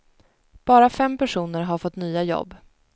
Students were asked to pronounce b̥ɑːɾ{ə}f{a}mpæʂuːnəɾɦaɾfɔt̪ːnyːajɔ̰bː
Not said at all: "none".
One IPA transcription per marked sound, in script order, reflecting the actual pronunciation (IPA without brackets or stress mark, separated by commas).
a, ɛ